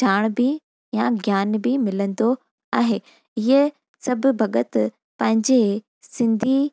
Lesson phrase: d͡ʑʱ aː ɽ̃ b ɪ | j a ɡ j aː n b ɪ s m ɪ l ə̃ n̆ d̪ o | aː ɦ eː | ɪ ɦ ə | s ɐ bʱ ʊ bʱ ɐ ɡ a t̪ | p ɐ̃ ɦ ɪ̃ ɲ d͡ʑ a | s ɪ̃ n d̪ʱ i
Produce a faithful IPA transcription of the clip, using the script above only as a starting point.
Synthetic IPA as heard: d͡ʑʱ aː ɽ̃ b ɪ | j a ɡ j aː n b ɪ m ɪ l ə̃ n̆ d̪ o | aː ɦ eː | ɪ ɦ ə | s ɐ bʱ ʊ bʱ ɐ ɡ ə t̪ | p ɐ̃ ɦ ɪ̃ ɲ d͡ʑ e | s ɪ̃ n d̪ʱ i